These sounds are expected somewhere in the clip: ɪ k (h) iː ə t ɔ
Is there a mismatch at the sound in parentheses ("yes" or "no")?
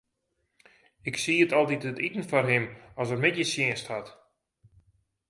yes